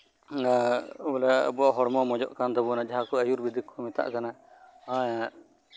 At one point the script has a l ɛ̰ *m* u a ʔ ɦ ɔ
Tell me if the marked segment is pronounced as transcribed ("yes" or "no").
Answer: no